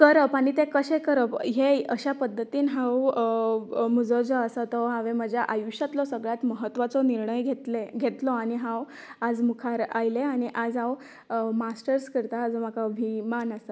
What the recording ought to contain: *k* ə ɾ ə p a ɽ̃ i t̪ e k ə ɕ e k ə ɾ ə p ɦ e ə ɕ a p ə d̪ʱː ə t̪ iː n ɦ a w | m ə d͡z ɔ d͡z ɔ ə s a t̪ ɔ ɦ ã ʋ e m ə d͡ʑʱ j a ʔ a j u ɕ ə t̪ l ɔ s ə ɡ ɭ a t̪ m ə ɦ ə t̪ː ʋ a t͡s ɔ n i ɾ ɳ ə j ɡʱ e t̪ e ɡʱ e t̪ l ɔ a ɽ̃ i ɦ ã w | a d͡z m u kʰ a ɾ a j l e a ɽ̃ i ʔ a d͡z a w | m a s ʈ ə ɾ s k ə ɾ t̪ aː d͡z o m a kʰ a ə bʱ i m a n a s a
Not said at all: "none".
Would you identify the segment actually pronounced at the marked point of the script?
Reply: k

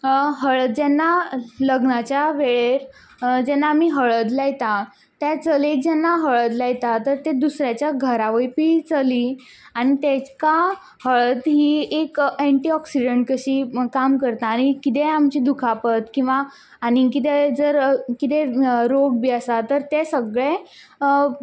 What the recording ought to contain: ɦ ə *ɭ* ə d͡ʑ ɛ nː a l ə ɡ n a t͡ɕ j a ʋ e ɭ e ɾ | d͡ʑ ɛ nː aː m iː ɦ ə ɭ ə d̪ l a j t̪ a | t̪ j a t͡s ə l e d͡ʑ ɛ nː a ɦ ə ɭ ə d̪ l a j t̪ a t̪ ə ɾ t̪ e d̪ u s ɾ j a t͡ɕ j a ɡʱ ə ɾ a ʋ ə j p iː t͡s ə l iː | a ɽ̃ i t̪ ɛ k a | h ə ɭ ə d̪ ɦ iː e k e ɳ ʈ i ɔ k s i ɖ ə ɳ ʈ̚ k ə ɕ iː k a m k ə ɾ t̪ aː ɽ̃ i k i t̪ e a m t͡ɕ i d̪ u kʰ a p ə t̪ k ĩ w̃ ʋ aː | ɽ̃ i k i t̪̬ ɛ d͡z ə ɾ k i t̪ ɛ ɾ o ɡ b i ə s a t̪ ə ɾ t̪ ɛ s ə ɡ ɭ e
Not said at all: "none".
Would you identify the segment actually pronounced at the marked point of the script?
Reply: ɭ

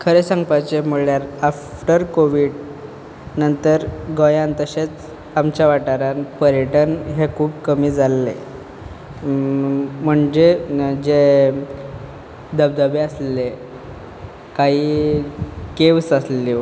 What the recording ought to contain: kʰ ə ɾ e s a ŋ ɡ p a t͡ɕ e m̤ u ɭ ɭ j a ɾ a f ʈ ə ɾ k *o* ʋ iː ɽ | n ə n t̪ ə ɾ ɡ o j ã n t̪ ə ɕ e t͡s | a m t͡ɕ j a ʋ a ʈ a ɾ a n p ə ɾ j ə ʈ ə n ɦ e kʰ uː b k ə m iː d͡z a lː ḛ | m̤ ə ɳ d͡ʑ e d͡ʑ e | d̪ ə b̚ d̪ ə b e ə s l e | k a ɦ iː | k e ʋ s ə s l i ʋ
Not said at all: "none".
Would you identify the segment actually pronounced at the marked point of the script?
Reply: o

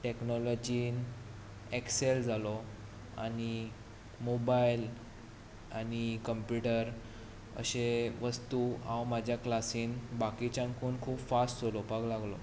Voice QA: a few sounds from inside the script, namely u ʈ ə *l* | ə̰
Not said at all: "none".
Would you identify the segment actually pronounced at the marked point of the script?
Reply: ɾ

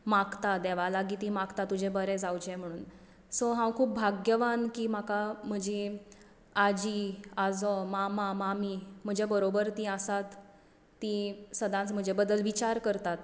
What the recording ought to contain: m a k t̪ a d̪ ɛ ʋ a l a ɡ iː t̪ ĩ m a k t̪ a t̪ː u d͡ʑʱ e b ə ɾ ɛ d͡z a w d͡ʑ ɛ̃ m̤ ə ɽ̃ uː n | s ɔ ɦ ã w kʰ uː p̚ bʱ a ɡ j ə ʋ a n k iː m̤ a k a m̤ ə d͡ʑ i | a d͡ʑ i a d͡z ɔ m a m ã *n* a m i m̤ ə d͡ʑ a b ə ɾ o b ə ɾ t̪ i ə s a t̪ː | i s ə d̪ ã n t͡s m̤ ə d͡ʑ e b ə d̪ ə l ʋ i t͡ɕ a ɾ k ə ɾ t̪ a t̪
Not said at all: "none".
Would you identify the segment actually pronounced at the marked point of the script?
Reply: m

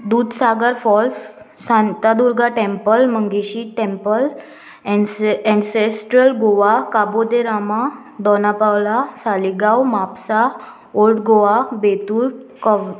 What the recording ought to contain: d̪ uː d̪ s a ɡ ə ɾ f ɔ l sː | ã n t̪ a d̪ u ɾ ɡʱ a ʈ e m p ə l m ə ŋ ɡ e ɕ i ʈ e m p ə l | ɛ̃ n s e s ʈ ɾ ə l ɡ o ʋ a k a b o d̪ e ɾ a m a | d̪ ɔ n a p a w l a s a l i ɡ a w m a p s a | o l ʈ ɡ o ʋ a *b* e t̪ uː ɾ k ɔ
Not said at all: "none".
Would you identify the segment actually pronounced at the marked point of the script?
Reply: b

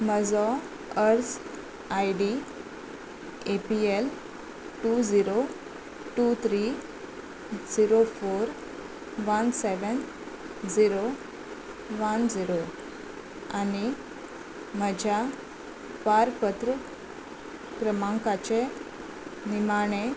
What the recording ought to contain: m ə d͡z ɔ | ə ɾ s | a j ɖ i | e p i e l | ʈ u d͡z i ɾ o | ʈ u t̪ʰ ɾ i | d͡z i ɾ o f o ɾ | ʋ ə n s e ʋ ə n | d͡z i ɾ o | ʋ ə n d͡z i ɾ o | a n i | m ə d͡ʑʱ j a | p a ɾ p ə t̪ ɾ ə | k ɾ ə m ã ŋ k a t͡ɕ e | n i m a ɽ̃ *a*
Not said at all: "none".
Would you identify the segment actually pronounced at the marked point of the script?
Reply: e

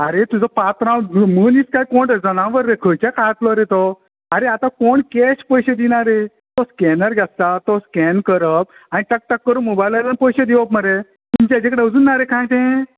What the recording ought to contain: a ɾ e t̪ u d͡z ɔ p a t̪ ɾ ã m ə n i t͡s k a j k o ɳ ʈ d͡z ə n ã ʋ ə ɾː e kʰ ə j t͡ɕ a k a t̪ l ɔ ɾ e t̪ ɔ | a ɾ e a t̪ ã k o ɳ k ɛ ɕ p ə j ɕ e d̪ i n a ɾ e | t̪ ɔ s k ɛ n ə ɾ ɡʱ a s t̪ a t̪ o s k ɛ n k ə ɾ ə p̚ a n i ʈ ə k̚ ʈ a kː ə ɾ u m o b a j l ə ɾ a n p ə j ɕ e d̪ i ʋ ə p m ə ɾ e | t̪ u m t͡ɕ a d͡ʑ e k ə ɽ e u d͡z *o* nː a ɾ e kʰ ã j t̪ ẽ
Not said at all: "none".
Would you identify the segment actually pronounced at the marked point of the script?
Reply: u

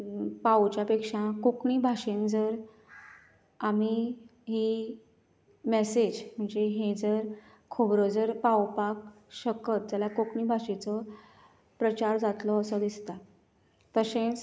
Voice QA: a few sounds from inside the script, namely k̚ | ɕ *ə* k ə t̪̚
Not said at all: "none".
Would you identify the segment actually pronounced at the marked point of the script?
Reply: ə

